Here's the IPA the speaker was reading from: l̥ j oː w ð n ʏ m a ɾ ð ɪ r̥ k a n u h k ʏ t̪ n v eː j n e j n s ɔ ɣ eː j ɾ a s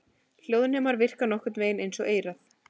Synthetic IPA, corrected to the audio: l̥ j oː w ð n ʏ m a ɾ v ɪ r̥ k a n ɔ h k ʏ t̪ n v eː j n e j n s ɔ ɣ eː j ɾ a θ